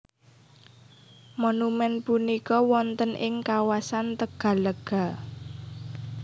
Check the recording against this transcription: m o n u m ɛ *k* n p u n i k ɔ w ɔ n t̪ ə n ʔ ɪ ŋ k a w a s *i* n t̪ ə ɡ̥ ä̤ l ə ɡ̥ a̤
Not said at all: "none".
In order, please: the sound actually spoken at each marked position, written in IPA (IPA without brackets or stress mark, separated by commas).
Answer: none, a